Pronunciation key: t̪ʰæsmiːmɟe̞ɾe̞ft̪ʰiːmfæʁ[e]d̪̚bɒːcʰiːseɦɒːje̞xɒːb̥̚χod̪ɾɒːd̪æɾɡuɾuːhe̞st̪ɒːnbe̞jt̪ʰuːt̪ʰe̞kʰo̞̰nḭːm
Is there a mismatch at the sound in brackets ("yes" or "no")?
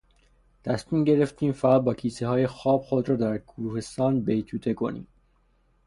yes